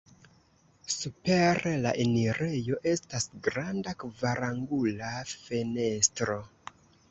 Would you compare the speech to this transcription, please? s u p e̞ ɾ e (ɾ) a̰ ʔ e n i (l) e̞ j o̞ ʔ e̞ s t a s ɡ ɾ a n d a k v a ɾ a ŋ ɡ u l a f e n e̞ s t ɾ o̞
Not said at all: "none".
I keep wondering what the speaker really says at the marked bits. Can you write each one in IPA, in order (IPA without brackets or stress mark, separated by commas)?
l, ɾ